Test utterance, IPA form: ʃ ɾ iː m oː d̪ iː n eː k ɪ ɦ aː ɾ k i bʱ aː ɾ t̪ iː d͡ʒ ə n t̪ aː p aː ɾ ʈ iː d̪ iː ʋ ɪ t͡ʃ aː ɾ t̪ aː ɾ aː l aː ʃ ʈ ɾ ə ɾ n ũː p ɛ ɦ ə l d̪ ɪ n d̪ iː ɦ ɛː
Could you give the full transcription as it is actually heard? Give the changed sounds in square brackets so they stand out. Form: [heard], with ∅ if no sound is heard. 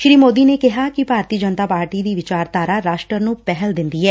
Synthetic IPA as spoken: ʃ ɾ iː m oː d̪ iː n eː k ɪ ɦ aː [∅] k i bʱ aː ɾ t̪ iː d͡ʒ ə n t̪ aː p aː ɾ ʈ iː d̪ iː ʋ ɪ t͡ʃ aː ɾ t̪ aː ɾ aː [ɾ] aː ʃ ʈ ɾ ə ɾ n ũː p ɛ ɦ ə l d̪ ɪ n d̪ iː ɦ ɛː

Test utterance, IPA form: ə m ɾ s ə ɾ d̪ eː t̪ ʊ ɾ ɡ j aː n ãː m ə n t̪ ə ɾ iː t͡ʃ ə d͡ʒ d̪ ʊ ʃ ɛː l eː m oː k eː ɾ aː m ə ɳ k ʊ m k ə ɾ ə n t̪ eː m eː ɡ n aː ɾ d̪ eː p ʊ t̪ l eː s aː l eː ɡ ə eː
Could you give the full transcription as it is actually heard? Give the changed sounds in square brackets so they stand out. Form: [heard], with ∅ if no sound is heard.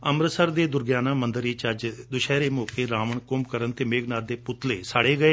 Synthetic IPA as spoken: ə m ɾ s ə ɾ d̪ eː [d̪] ʊ ɾ ɡ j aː n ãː m ə n [d̪] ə ɾ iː t͡ʃ ə d͡ʒ d̪ ʊ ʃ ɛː [ɾ] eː m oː k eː ɾ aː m ə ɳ k ʊ m k ə ɾ ə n t̪ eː m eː ɡ n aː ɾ d̪ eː p ʊ t̪ l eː s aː [ɽ] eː ɡ ə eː

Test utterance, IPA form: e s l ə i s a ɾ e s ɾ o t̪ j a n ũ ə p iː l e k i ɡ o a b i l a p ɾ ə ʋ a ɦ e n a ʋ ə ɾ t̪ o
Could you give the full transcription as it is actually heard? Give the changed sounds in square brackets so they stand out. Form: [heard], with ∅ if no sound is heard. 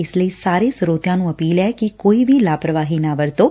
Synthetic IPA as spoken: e s l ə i s a ɾ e s ɾ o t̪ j a n ũ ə p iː l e k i [k] o [i] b i l a p ɾ ə ʋ a ɦ [i] n a ʋ ə ɾ t̪ o

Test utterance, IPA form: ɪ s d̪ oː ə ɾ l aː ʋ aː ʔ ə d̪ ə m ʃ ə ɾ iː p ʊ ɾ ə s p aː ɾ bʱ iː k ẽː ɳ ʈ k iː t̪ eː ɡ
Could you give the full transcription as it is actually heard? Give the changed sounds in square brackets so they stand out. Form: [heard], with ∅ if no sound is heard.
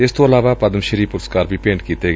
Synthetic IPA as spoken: ɪ s [t̪] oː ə [∅] l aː ʋ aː [p] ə d̪ ə m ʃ ə ɾ iː p ʊ ɾ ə s [k] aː ɾ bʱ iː [p] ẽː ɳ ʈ k iː t̪ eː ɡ

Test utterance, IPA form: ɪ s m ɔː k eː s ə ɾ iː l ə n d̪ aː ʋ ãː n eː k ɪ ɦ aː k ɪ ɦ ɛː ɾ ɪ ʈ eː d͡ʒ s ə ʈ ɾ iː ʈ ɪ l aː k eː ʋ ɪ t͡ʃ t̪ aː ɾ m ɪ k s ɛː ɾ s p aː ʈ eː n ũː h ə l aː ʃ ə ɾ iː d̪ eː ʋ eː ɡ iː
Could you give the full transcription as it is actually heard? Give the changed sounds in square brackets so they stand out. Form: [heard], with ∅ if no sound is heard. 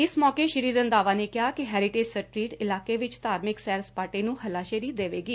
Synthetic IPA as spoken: ɪ s m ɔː k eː [ʃ] ə ɾ iː [ɾ] ə n d̪ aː ʋ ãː n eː k ɪ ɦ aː k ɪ ɦ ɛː ɾ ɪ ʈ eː d͡ʒ s ə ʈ ɾ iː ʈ ɪ l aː k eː ʋ ɪ t͡ʃ t̪ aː ɾ m ɪ k s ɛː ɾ s p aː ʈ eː n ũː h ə l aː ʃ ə ɾ iː d̪ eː ʋ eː ɡ iː

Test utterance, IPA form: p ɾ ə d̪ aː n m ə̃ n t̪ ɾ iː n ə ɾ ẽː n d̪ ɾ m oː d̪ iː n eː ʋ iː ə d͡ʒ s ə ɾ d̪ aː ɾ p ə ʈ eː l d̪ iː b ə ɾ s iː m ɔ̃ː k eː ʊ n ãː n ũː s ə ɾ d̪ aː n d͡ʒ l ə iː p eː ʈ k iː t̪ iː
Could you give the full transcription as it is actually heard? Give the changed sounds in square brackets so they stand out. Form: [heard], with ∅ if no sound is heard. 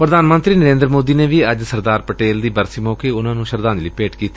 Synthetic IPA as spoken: p ɾ ə d̪ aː n m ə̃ n t̪ ɾ iː n ə ɾ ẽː n d̪ ɾ m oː d̪ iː n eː ʋ iː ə d͡ʒ s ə ɾ d̪ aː ɾ p ə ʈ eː l d̪ iː b ə ɾ s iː m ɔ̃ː k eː ʊ n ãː n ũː [ʃ] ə ɾ d̪ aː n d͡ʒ l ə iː p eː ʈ k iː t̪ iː

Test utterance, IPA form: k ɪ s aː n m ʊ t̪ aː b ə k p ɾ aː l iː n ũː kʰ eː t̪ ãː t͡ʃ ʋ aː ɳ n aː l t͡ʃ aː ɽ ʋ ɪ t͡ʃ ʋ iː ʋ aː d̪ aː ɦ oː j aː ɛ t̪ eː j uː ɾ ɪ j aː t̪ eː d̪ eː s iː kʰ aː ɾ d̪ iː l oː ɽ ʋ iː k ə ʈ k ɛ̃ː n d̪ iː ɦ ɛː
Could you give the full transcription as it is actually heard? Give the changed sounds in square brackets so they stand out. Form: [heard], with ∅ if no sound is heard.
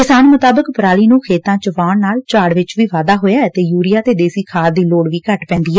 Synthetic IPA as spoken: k ɪ s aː n m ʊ t̪ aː b ə k p ɾ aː l iː n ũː kʰ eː t̪ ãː t͡ʃ ʋ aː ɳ n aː l t͡ʃ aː ɽ ʋ ɪ t͡ʃ ʋ iː ʋ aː d̪ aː ɦ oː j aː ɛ t̪ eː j uː ɾ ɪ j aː t̪ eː d̪ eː s iː kʰ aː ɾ d̪ iː l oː ɽ ʋ iː k ə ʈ [p] ɛ̃ː n d̪ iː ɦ ɛː

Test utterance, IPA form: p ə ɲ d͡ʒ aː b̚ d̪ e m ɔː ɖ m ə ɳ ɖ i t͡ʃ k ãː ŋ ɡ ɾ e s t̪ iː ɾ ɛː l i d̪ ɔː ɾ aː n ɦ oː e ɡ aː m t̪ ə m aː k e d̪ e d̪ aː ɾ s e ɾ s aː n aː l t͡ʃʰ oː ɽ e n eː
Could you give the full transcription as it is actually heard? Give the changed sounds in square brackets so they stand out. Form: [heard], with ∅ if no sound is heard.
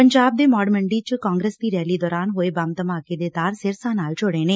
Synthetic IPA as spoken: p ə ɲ d͡ʒ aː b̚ d̪ e m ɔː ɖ m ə ɳ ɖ i t͡ʃ k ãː ŋ ɡ ɾ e s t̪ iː ɾ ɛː l i d̪ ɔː ɾ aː n ɦ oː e [b] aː m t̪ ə m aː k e d̪ e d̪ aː ɾ s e ɾ s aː n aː l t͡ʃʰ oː ɽ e n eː

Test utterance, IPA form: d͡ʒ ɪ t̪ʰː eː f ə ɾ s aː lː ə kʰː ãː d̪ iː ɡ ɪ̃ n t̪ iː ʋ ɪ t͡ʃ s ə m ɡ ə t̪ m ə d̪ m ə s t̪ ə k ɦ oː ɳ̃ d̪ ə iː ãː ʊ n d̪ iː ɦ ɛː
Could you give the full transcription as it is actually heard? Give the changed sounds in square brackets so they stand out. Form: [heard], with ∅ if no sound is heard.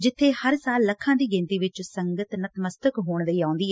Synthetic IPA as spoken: d͡ʒ ɪ t̪ʰː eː [h] ə ɾ s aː lː ə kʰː ãː d̪ iː ɡ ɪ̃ n t̪ iː ʋ ɪ t͡ʃ s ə [ŋ] ɡ ə t̪ [n] ə [t̪] m ə s t̪ ə k ɦ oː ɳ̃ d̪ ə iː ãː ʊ n d̪ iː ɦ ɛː

